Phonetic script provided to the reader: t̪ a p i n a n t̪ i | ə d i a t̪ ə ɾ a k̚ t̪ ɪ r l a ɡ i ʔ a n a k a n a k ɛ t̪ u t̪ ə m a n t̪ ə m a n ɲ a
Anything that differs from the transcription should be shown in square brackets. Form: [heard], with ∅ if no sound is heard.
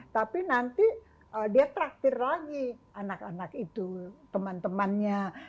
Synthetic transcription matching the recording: t̪ a p i n a n t̪ i | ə d i a t̪ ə ɾ a k̚ t̪ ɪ r l a ɡ i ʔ a n a k a n a k [i] t̪ u t̪ ə m a n t̪ ə m a n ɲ a

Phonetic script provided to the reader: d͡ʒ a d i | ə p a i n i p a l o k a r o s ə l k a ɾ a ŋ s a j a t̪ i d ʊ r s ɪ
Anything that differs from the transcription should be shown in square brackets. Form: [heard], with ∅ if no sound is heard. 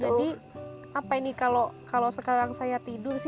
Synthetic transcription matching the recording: d͡ʒ a d i | [a] p a i n i [k] a l o k a [l] o s ə [∅] k a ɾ a ŋ s a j a t̪ i d ʊ r s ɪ

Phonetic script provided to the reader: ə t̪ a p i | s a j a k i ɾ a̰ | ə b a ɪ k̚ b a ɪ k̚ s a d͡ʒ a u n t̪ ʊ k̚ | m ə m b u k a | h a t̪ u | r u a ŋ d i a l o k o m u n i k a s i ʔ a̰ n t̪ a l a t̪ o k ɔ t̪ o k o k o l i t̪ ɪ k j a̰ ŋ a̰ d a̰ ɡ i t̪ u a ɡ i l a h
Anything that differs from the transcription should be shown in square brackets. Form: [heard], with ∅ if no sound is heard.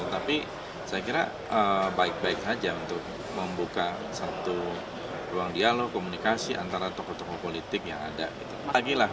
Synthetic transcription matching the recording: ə t̪ a p i | s a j a k i ɾ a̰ | ə b a ɪ k̚ b a ɪ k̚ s a d͡ʒ a u n t̪ ʊ k̚ | m ə m b u k a | [s] a t̪ u | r u a ŋ d i a l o k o m u n i k a s i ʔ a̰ n t̪ a [ɾ] a t̪ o k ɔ t̪ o k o [p] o l i t̪ ɪ k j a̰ ŋ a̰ d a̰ ɡ i t̪ u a ɡ i l a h

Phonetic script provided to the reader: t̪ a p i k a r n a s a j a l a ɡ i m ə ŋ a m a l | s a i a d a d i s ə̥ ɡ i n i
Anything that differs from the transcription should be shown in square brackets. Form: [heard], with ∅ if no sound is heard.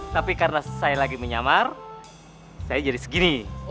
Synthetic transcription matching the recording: t̪ a p i k a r n a s a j a l a ɡ i m ə [ɲ] a m a [r] | s a [j] a [d͡ʒ] a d i s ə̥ ɡ i n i

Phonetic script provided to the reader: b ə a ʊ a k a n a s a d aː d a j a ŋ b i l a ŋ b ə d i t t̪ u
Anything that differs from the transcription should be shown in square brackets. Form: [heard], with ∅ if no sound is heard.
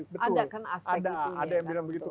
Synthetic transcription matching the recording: b ə a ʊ a k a n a s a d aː d a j a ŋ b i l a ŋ b ə [ɡ] i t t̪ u

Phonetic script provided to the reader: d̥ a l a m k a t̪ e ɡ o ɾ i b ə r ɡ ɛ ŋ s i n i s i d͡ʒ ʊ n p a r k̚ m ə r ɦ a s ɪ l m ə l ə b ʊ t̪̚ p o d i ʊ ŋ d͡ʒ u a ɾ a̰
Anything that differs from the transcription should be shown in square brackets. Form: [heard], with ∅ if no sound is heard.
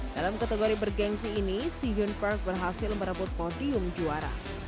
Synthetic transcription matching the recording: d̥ a l a m k a t̪ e ɡ o ɾ i b ə r ɡ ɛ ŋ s [iː] n i s i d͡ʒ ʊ n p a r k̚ [b] ə r ɦ a s ɪ l m ə [ɾ] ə b ʊ t̪̚ p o d i ʊ [m] d͡ʒ u a ɾ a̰

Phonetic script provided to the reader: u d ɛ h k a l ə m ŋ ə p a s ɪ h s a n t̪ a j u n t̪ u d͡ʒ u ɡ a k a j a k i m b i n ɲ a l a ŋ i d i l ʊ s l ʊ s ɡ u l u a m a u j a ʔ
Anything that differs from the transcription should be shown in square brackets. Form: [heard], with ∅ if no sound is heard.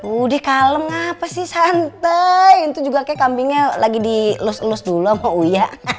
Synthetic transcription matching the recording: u d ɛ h k a l ə m ŋ [a] p a s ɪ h s a n t̪ a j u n t̪ u d͡ʒ u ɡ a k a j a k [a] m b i [ŋ] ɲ a l a [ɡ] i d i l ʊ s l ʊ s [d] u l u a m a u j a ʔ

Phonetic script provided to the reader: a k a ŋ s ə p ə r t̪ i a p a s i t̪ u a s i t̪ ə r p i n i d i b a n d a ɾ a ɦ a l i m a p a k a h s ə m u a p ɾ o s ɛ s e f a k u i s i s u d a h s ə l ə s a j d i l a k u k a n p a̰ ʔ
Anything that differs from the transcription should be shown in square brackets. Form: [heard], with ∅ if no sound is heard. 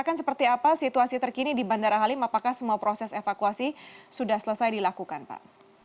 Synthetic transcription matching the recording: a k a [n] s ə p ə r t̪ i a p a s i t̪ u a s i t̪ ə r [k] i n i d i b a n d a ɾ a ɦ a l i m a p a k a h s ə m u a p ɾ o s ɛ s e f a k u [a] s i s u d a h s ə l ə s a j d i l a k u k a n p a̰ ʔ

